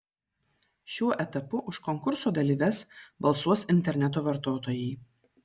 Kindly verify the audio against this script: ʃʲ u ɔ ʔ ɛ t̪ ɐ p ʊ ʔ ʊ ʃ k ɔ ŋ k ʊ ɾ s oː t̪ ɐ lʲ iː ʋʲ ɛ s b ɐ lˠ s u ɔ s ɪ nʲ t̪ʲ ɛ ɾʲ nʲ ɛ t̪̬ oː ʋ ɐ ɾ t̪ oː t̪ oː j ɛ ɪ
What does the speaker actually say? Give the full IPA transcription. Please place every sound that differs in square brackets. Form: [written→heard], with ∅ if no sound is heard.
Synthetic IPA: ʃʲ u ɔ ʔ ɛ t̪ ɐ p ʊ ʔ ʊ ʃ k ɔ ŋ k ʊ ɾ s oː [t̪→d̪] ɐ lʲ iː ʋʲ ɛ s b ɐ lˠ s u ɔ s ɪ nʲ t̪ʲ ɛ ɾʲ nʲ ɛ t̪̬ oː ʋ ɐ ɾ t̪ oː t̪ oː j ɛ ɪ